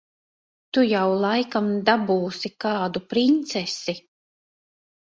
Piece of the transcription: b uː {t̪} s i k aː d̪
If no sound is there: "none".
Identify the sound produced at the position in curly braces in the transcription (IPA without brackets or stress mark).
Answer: none